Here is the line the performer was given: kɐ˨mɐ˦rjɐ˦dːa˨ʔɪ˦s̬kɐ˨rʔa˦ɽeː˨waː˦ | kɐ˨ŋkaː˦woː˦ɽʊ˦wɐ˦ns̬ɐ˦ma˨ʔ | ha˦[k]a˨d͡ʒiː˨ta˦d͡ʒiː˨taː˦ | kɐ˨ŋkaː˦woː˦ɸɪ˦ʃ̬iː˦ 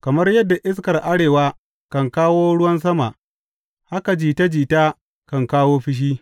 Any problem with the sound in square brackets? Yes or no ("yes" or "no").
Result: no